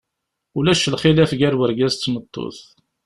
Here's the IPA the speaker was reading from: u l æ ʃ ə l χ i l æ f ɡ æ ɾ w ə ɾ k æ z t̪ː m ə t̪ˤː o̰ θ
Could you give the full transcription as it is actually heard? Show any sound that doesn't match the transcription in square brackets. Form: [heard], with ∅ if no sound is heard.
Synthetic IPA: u l æ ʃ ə l χ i l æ f ɡ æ ɾ w ə ɾ [ɡ] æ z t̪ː m ə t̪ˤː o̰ θ